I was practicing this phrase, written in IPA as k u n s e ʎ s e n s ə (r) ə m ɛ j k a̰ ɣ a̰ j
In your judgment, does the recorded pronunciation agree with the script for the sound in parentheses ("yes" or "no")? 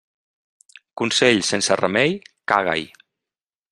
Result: yes